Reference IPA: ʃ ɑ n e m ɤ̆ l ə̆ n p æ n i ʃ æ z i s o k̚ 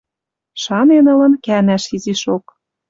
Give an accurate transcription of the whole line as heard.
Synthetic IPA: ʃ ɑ n e n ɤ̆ l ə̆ n k æ n æ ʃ i z i ʃ o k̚